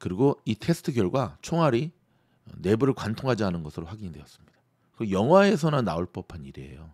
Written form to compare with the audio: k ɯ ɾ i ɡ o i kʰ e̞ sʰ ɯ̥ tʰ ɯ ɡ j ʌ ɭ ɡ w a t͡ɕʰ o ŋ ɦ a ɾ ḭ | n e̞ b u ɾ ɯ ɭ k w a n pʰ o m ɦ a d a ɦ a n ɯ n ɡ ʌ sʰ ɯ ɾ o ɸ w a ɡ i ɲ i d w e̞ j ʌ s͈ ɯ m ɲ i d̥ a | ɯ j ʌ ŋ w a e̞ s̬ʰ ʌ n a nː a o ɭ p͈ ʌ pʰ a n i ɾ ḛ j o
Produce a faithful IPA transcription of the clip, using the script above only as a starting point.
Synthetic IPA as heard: k ɯ ɾ i ɡ o i tʰ e̞ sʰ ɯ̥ tʰ ɯ ɡ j ʌ ɭ ɡ w a t͡ɕʰ o ŋ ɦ a ɾ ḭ | n e̞ b u ɾ ɯ ɭ k w a n tʰ o ŋ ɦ a d͡ʑ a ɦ a n ɯ n ɡ ʌ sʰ ɯ ɾ o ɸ w a ɡ i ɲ i d w e̞ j ʌ s͈ ɯ m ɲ i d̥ a | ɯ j ʌ ŋ w a e̞ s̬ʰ ʌ n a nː a o ɭ p͈ ʌ pʰ a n i ɾ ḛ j o

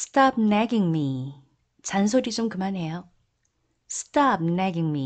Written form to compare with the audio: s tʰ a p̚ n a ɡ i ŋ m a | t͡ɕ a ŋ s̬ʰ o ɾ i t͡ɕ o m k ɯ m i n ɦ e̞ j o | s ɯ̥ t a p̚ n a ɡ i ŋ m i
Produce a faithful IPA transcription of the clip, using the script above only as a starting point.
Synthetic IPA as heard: s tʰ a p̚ n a ɡ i ŋ m i | t͡ɕ a n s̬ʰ o ɾ i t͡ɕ o m k ɯ m a n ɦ e̞ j o | s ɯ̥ t a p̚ n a ɡ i ŋ m i

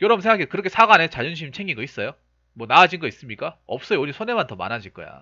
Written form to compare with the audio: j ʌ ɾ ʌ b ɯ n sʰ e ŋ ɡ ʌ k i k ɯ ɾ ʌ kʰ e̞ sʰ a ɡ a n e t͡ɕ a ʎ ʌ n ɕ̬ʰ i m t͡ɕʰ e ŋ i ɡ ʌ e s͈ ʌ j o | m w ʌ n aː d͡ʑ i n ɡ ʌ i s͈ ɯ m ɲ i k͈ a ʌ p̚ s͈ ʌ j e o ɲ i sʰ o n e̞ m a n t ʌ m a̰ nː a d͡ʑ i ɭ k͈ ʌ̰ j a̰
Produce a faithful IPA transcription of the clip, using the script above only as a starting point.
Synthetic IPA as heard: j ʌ ɾ ʌ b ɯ n sʰ e ŋ ɡ a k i k ɯ ɾ ʌ kʰ e̞ sʰ a ɡ a n e t͡ɕ a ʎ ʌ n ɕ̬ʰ i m t͡ɕʰ e ŋ i ɡ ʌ i s͈ ʌ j o | m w ʌ n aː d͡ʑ i n ɡ ʌ i s͈ ɯ m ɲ i k͈ a ʌ p̚ s͈ ʌ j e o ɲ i sʰ o n e̞ m a n t ʌ m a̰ n a d͡ʑ i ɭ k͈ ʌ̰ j a̰

